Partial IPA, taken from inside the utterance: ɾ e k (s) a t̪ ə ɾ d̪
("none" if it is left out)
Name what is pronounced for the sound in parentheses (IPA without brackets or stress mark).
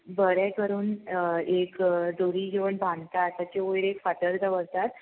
f